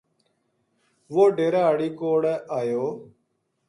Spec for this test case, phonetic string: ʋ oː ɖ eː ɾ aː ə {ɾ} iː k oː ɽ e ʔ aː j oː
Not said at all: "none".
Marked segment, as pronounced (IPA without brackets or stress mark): ɽ